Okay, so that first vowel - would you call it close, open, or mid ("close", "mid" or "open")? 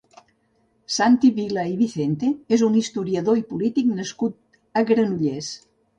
open